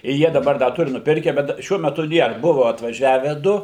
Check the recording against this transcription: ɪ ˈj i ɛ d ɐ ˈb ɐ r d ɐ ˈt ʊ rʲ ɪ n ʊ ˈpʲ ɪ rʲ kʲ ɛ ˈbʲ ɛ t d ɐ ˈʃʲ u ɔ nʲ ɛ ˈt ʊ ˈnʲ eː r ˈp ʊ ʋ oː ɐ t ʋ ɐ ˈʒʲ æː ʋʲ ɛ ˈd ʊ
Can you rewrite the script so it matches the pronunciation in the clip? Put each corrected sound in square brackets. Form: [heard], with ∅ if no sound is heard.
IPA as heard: ɪ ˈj i ɛ d ɐ ˈb ɐ r d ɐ ˈt ʊ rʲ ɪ n ʊ ˈpʲ ɪ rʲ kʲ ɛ ˈbʲ ɛ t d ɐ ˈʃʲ u ɔ [mʲ] ɛ ˈt ʊ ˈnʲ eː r [ˈb] ʊ ʋ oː ɐ t ʋ ɐ ˈʒʲ æː ʋʲ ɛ ˈd ʊ